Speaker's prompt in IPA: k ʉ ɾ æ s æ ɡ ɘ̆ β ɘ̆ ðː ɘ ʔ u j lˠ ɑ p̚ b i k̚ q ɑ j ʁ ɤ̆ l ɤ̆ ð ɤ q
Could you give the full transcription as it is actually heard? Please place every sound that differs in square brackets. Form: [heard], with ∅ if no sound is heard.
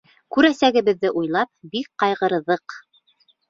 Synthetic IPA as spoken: k ʉ ɾ æ s æ ɡ ɘ̆ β ɘ̆ ðː ɘ ʔ u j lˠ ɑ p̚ b i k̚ q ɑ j ʁ ɤ̆ [ɾ] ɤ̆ ð ɤ q